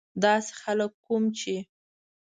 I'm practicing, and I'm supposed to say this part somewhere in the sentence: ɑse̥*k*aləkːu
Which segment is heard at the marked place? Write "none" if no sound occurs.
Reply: x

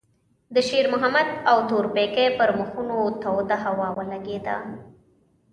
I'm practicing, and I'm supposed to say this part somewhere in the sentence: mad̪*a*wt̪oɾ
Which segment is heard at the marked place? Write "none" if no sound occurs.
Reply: a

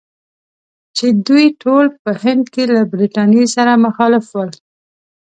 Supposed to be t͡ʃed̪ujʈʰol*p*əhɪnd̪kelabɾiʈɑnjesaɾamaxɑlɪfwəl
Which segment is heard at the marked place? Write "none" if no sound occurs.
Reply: p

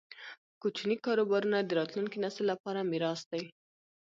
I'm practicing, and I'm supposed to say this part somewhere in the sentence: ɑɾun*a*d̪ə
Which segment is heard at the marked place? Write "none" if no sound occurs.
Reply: a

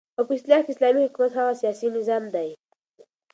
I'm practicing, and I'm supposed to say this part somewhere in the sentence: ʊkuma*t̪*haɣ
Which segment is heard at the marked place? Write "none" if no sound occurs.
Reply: t̪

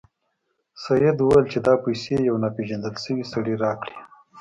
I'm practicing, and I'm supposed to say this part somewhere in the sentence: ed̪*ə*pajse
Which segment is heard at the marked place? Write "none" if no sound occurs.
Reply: ɑ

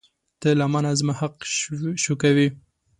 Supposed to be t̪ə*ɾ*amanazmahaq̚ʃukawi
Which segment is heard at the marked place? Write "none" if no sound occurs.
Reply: l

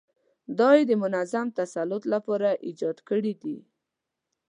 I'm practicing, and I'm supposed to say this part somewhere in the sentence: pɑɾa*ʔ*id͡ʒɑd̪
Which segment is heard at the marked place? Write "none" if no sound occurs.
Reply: ʔ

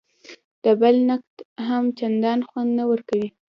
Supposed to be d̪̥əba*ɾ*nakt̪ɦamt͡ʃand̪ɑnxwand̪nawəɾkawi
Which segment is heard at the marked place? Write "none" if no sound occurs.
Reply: l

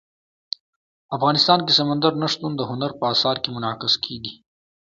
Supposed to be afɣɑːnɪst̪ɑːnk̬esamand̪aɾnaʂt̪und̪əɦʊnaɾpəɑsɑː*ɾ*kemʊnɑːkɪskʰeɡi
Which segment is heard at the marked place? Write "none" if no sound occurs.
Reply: ɾ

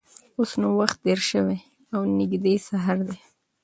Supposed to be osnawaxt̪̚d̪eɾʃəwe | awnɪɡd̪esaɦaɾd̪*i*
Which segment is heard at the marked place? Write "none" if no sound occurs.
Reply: e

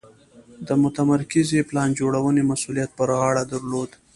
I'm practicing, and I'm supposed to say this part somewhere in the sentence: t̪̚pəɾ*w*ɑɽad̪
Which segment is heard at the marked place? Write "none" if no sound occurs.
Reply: ɣ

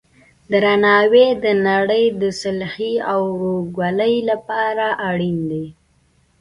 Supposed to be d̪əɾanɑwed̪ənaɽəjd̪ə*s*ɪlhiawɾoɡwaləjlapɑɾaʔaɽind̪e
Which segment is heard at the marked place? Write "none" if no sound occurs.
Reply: s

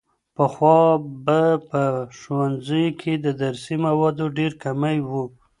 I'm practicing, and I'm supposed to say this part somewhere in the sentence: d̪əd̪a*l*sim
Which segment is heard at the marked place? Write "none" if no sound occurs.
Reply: ɾ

